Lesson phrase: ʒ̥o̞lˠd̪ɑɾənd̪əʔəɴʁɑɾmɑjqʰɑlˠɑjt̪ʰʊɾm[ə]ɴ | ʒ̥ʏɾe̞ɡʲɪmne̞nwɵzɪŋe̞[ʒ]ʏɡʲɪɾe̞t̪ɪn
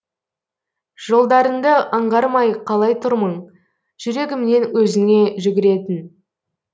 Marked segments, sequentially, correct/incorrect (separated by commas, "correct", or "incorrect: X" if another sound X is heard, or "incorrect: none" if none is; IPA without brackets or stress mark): correct, correct